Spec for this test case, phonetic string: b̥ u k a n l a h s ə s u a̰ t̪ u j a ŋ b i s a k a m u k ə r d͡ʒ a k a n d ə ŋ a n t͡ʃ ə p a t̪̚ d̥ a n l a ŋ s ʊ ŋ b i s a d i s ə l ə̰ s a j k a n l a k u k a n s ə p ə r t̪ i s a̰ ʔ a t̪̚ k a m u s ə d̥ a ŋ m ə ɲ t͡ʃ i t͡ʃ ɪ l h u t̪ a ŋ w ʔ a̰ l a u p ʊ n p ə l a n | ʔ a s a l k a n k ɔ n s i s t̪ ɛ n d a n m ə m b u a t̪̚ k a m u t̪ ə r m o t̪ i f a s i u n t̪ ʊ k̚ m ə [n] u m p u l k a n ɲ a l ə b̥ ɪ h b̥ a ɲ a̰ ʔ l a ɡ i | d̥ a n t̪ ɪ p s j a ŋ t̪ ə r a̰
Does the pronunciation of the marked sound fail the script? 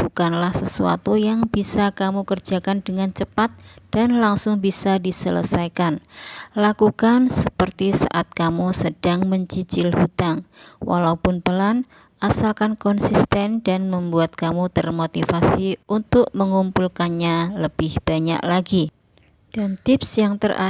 yes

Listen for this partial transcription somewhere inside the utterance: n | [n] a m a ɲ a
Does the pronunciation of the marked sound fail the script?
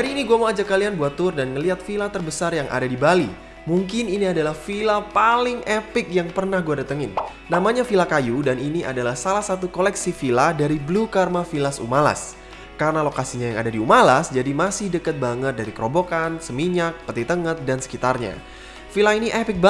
no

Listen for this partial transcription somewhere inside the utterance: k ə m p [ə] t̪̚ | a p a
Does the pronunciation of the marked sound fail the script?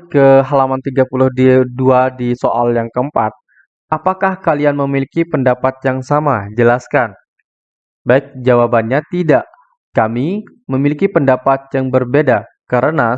yes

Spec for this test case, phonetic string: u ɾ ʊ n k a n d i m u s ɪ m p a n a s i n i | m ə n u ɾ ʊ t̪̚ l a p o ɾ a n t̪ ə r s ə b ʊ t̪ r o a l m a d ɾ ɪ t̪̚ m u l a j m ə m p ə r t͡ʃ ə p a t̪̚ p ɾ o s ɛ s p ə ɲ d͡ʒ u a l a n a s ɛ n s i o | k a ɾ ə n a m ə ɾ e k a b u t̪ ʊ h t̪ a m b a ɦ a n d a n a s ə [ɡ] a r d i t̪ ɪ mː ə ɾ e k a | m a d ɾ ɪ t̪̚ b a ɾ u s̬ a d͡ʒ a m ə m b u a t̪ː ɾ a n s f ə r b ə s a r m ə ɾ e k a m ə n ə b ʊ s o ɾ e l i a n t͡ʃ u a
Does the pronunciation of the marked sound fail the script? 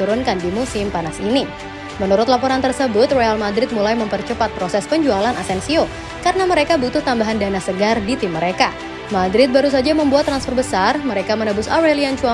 no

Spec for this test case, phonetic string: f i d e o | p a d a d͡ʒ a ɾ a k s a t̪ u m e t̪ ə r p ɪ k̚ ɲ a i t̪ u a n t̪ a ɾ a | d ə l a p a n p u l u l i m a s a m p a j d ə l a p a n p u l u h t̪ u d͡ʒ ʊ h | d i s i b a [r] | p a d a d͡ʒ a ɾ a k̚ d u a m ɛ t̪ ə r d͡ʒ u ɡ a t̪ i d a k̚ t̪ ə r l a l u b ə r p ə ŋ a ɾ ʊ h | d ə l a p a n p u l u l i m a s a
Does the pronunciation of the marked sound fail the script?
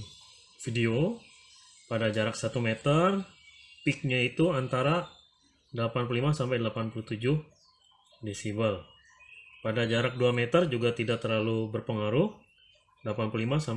yes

